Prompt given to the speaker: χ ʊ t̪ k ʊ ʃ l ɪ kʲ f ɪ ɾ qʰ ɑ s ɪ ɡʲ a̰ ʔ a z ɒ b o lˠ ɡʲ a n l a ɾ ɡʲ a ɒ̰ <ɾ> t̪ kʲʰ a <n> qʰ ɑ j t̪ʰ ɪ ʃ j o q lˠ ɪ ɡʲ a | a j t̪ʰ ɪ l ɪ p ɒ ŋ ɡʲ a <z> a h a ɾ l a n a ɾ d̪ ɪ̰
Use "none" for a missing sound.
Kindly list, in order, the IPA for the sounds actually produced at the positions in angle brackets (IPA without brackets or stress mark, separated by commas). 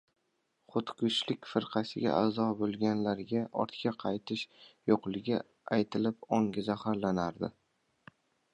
ɾ, none, z